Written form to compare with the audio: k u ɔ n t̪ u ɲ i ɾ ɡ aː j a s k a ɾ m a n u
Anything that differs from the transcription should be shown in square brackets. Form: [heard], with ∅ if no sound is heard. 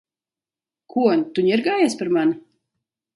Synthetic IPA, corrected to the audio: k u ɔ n t̪ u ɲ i ɾ ɡ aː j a s [p] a ɾ m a n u